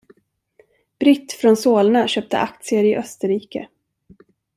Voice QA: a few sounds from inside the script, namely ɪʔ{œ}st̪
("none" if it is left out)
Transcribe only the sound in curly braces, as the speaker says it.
œ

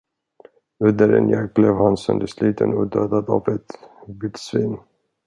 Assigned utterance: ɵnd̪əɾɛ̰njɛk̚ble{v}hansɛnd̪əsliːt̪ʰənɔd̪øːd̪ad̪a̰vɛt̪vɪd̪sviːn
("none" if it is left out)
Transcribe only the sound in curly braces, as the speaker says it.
v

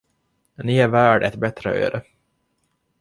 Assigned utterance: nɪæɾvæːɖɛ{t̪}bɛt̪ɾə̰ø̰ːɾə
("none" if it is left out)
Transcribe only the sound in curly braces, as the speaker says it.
t̪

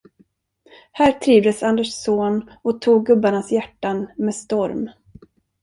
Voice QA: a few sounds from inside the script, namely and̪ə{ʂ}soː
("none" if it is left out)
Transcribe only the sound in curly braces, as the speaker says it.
ʂ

